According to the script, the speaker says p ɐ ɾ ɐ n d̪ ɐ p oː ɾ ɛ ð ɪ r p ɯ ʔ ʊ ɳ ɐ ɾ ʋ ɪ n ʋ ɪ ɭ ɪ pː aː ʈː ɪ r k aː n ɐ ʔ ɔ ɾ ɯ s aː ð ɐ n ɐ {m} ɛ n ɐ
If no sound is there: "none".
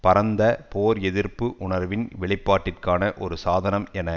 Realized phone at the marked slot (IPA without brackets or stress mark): m